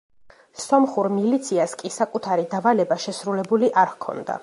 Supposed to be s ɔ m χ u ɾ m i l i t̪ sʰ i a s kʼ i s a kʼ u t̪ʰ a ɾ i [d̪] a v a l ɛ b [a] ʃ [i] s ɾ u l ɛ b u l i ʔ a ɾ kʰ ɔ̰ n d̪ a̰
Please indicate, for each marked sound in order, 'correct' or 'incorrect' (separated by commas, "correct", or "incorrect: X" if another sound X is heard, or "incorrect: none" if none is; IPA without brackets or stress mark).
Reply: correct, correct, incorrect: ɛ